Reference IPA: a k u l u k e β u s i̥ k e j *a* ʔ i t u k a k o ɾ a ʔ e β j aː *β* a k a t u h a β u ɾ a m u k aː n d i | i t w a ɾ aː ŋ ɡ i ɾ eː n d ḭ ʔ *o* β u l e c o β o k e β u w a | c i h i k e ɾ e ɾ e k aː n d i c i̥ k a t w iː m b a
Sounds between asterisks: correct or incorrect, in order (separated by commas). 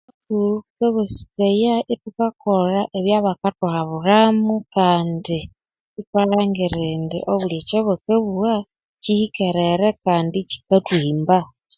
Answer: correct, correct, correct